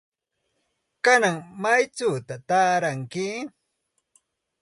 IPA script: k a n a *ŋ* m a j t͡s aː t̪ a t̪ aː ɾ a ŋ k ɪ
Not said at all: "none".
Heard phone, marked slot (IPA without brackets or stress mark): ŋ